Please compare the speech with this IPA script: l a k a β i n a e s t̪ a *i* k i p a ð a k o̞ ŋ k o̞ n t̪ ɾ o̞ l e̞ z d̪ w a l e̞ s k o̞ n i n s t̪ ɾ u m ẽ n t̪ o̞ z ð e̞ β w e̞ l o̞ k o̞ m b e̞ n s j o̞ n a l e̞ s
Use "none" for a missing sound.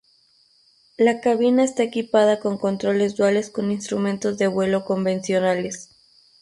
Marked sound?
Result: e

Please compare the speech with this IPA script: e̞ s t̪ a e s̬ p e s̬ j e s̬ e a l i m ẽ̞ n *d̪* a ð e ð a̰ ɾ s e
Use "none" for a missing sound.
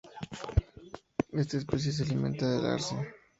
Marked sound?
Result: t̪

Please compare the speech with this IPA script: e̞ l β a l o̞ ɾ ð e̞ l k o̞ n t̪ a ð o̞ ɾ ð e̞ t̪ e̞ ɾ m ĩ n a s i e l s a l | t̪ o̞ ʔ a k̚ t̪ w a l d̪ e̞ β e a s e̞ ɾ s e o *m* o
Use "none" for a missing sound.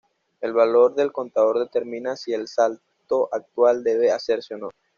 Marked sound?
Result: n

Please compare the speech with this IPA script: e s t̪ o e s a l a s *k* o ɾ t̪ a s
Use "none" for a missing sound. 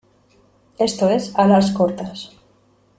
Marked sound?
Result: k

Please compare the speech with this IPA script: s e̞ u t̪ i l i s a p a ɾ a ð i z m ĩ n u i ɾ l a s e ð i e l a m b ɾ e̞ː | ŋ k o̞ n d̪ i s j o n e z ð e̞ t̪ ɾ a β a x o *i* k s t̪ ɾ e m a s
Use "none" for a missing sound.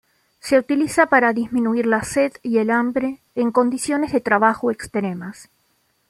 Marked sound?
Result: e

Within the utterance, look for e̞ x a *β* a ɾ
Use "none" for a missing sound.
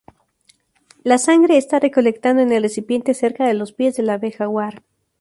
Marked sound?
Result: w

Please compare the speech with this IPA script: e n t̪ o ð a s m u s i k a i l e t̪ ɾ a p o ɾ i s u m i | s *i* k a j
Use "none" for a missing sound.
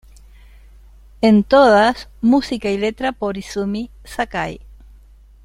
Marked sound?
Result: a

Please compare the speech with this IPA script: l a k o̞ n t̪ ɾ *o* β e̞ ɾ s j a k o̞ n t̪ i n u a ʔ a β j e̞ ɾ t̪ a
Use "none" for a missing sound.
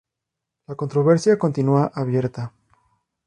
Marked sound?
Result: o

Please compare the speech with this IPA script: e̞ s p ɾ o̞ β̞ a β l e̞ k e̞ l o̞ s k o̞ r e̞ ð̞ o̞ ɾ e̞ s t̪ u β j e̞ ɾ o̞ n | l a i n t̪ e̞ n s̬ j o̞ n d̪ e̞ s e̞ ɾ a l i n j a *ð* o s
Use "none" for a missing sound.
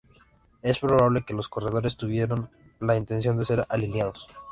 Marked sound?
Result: ð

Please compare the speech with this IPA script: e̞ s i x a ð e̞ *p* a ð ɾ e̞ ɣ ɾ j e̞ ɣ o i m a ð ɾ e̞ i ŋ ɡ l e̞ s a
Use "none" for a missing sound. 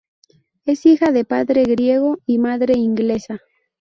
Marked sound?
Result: p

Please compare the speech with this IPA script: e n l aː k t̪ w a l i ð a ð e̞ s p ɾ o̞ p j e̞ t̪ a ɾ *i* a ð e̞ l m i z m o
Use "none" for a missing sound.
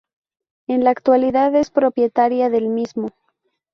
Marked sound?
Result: j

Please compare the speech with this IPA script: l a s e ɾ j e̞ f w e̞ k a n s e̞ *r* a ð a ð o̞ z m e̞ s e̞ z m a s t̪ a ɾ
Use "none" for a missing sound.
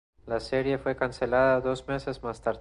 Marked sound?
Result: l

